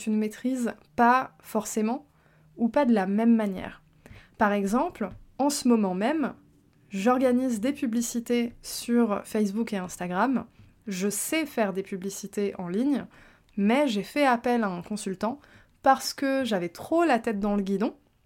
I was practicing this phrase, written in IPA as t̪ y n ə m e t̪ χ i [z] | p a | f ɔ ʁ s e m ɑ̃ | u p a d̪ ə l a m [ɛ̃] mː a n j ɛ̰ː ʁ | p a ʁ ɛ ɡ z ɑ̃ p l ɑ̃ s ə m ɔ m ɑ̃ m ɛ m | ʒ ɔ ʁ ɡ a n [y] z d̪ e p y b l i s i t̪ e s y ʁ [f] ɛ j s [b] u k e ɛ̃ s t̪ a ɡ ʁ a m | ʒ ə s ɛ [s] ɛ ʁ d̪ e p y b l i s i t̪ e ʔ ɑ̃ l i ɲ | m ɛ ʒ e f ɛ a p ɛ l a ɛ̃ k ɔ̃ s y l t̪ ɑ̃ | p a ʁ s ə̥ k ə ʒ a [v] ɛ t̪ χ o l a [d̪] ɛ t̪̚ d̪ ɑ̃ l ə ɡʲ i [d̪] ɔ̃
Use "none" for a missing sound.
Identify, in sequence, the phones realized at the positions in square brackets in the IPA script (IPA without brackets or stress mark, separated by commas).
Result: z, ɛ, i, f, b, f, v, t̪, d̪